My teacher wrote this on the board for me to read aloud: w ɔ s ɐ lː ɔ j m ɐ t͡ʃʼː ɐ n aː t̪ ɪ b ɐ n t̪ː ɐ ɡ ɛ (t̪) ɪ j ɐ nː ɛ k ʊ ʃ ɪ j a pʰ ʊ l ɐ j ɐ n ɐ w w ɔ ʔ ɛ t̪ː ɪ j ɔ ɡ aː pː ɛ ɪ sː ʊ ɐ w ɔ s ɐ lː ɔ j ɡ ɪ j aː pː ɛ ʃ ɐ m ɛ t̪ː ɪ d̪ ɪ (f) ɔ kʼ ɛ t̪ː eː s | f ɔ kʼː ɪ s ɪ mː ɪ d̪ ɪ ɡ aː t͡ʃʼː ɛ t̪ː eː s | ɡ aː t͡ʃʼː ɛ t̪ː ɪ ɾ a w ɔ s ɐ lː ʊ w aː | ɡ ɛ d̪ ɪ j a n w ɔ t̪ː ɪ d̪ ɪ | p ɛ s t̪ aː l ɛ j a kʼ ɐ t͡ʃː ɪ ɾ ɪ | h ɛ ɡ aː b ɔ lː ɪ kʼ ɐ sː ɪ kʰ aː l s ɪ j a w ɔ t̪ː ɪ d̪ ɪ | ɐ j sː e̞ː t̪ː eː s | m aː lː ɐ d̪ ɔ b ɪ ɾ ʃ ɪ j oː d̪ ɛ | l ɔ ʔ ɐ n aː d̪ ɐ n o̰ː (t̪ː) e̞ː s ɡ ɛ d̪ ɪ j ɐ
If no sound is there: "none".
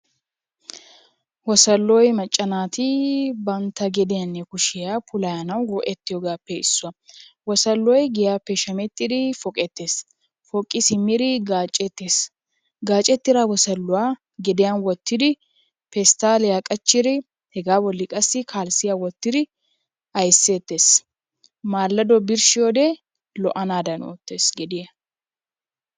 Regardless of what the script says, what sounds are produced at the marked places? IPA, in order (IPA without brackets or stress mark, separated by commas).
d̪, f, t̪ː